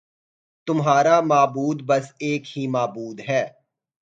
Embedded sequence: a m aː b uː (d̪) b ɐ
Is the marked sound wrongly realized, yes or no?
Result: no